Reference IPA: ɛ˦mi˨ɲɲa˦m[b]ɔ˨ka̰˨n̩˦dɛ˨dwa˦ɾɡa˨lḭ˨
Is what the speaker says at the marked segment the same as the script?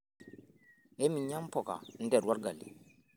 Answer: no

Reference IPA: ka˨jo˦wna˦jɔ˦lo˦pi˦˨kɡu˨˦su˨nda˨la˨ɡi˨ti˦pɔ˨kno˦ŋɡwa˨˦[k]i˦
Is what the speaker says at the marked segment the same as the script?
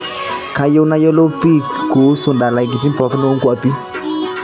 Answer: no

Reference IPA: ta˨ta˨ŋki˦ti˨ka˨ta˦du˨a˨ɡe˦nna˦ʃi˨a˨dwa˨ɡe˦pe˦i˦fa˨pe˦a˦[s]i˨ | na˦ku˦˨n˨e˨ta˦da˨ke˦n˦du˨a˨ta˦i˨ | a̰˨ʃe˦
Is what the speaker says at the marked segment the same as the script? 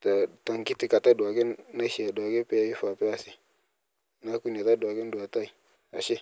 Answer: yes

